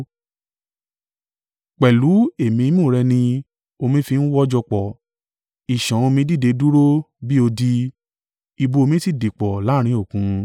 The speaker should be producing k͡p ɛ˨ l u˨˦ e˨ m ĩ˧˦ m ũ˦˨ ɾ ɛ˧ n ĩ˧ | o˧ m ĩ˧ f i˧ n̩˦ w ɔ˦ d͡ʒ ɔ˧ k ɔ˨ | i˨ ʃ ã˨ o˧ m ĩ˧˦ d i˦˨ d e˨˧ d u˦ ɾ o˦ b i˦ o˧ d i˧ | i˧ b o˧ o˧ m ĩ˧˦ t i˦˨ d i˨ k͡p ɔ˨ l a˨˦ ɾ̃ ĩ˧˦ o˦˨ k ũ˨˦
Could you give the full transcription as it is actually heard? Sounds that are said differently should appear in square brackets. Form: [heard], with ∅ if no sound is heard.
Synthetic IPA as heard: k͡p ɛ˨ l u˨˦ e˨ m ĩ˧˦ m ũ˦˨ ɾ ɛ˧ n ĩ˧ | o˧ m ĩ˧ f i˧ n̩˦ w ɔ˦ d͡ʒ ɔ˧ [k͡p] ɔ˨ | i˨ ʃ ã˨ o˧ m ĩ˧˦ d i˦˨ d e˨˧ d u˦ ɾ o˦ b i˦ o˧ d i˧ | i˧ b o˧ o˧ m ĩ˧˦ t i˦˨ d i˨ k͡p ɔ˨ l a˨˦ ɾ̃ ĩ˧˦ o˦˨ k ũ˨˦